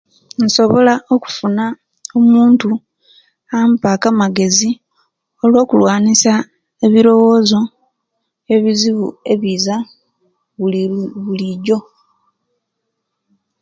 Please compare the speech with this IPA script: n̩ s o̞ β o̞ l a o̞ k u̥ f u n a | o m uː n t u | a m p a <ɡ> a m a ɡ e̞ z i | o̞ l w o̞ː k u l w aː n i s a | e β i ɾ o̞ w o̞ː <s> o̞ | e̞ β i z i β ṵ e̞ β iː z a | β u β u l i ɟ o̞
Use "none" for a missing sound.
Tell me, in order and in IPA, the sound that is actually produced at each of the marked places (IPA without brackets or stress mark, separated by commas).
k, z